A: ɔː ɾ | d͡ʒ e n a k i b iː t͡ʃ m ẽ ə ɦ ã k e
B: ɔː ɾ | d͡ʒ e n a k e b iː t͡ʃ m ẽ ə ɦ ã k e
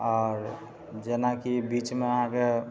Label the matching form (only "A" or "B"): A